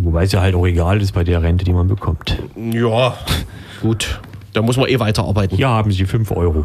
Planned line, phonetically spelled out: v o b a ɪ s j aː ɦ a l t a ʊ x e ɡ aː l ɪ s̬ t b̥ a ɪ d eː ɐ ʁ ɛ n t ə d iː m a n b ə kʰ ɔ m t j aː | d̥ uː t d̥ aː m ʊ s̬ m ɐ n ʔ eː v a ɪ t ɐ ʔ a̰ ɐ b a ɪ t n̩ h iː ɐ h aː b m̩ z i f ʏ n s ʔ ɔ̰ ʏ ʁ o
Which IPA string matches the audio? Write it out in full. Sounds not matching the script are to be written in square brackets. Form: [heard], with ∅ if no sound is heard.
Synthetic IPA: v o b a ɪ s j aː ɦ a l t a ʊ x e ɡ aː l ɪ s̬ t b̥ a ɪ d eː ɐ ʁ ɛ n t ə d iː m a n b ə kʰ ɔ m t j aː | [ɡ̥] uː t d̥ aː m ʊ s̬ m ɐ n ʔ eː v a ɪ t ɐ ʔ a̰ ɐ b a ɪ t n̩ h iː ɐ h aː b m̩ z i f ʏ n [f] ʔ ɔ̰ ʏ ʁ o